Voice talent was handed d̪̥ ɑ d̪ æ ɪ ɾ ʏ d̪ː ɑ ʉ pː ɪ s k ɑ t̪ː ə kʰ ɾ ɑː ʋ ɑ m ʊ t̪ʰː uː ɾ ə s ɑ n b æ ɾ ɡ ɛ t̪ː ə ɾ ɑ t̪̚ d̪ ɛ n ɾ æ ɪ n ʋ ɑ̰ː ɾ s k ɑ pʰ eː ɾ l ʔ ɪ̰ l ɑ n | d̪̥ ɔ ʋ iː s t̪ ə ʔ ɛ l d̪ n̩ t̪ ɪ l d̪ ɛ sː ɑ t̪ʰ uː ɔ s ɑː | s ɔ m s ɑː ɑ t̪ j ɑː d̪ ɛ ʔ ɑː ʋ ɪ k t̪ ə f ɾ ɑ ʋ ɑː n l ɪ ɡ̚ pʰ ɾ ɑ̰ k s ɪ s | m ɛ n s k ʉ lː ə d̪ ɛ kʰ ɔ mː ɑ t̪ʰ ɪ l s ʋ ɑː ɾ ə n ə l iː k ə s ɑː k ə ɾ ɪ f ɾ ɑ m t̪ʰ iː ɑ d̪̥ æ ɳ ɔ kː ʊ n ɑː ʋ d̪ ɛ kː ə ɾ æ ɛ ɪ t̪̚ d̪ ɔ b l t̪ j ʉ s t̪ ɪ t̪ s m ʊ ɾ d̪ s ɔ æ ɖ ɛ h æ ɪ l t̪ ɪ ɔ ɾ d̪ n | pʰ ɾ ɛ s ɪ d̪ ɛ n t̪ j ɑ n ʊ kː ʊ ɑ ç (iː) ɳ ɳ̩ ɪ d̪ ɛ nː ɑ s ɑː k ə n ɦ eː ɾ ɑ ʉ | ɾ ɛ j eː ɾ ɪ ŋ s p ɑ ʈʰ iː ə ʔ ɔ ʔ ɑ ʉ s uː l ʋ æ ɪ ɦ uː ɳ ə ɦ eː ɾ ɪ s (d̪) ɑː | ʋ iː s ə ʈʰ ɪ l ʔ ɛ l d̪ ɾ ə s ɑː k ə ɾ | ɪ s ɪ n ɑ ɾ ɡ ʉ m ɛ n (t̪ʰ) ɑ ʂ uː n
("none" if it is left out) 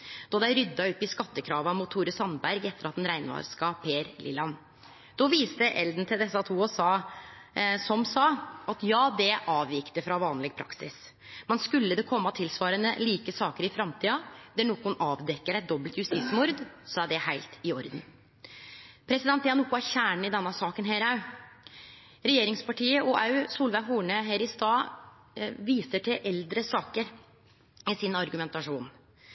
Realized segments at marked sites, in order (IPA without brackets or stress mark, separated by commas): æː, t̪, t̪